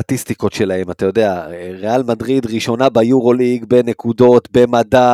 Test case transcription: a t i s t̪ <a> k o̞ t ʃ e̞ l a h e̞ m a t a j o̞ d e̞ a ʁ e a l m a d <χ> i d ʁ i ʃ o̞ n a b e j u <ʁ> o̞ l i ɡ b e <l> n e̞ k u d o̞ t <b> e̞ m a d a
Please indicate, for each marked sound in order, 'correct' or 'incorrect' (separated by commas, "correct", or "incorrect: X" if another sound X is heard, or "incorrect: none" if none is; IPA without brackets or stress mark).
incorrect: i, incorrect: ʁ, correct, incorrect: none, correct